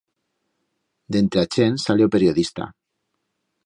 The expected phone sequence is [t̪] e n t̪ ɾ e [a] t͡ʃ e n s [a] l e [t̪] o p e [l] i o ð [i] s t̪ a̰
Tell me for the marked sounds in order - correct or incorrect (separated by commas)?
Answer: incorrect, correct, correct, incorrect, incorrect, correct